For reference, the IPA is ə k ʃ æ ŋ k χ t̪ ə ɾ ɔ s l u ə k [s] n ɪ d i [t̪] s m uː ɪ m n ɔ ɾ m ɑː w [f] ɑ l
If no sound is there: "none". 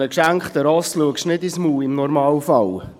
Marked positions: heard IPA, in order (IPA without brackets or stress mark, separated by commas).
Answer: ʃ, none, f